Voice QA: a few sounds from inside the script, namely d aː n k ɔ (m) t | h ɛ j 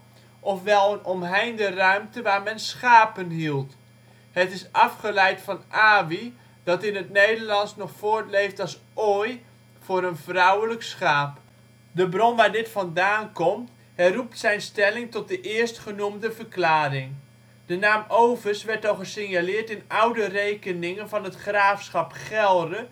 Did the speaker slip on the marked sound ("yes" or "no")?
no